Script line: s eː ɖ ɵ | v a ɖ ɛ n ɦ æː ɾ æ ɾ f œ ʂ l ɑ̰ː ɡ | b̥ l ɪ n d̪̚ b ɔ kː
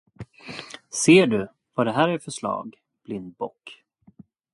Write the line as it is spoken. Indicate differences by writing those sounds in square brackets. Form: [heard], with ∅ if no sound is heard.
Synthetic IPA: s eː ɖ ɵ | v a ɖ ɛ [∅] ɦ æː ɾ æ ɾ f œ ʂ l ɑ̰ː ɡ | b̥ l ɪ n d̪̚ b ɔ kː